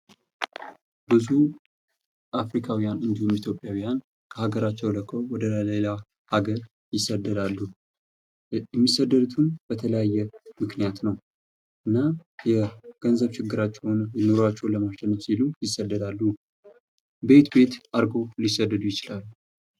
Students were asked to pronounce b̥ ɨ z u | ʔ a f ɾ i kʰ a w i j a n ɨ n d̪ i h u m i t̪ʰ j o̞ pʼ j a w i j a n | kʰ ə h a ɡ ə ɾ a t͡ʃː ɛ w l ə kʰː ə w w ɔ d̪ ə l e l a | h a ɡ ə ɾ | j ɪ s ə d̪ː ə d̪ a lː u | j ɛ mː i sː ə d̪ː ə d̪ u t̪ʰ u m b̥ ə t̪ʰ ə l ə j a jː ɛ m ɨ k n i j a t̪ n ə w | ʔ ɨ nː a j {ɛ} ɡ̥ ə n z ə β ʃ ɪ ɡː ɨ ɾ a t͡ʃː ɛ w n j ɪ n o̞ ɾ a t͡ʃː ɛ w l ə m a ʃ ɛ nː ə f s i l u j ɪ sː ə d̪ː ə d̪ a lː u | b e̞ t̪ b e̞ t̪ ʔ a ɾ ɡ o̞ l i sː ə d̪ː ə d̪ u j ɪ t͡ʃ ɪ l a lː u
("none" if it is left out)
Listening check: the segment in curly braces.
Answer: ɛ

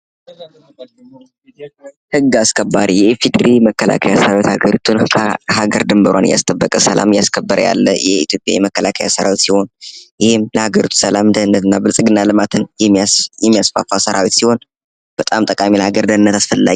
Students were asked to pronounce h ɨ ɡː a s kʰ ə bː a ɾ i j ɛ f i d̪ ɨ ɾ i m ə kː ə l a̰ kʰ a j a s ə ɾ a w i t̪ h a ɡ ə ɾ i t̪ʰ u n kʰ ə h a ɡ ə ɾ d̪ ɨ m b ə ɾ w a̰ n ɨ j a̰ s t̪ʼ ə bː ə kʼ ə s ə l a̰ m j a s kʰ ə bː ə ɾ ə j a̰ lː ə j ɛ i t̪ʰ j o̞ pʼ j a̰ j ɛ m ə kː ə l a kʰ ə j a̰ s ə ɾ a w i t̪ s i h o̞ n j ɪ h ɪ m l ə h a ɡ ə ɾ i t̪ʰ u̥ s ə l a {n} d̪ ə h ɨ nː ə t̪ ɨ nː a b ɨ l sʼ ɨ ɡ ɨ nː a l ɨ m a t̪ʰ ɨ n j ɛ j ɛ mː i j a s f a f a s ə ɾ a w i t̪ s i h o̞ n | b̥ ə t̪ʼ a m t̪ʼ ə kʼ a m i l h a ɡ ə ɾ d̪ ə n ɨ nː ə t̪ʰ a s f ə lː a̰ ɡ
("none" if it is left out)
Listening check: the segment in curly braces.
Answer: m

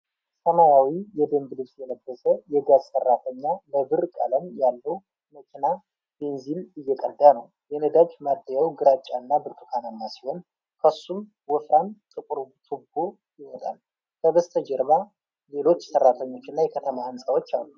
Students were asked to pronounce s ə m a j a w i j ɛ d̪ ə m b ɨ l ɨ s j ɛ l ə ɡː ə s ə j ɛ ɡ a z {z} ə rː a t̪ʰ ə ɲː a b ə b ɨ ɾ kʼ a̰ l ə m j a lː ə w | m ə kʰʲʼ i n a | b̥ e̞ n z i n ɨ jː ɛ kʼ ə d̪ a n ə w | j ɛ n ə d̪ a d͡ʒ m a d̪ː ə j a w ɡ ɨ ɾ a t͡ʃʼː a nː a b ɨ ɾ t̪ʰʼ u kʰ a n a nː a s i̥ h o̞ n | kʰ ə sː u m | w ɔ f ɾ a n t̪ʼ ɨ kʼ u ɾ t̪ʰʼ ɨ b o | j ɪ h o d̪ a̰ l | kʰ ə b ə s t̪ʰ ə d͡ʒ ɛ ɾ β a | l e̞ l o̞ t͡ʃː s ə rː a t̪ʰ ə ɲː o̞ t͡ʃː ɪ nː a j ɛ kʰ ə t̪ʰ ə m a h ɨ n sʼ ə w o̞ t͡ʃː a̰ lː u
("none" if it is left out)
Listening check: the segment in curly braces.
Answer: s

